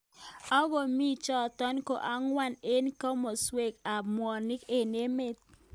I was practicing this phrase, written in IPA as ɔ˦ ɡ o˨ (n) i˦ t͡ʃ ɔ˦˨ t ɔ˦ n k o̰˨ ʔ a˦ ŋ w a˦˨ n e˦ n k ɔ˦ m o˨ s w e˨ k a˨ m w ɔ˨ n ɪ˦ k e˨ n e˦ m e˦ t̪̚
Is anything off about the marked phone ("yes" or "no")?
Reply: yes